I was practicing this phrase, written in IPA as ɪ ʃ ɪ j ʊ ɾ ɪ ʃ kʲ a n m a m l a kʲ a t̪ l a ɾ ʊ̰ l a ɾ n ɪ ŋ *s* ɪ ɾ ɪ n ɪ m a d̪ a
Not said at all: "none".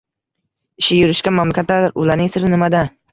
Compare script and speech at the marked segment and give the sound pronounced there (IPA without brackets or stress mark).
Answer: s